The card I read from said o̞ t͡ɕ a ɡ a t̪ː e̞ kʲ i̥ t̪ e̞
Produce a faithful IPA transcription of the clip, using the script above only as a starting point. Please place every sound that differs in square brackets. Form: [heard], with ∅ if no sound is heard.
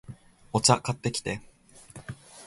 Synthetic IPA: o̞ t͡ɕ a [k] a t̪ː e̞ kʲ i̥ t̪ e̞